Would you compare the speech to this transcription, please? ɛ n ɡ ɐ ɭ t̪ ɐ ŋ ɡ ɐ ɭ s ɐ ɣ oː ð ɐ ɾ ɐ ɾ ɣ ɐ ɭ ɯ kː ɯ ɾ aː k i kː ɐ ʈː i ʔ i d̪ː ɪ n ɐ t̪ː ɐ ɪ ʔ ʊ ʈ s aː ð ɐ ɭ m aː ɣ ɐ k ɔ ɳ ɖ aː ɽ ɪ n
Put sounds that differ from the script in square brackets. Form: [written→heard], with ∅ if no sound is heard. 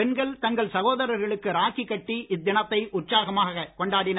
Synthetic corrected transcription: ɛ n ɡ ɐ ɭ t̪ ɐ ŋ ɡ ɐ ɭ s ɐ ɣ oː ð ɐ ɾ ɐ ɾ ɣ ɐ ɭ ɯ kː ɯ ɾ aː k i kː ɐ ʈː i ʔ [i→ɪ] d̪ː ɪ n ɐ t̪ː ɐ ɪ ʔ ʊ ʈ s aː [ð→ɣ] ɐ [ɭ→∅] m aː ɣ ɐ k ɔ ɳ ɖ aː ɽ ɪ n